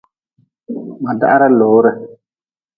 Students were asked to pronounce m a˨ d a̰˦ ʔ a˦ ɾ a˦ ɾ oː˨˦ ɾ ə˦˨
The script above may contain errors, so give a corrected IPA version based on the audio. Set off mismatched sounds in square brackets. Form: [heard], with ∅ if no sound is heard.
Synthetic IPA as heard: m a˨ d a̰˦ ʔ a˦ ɾ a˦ [l] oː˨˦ ɾ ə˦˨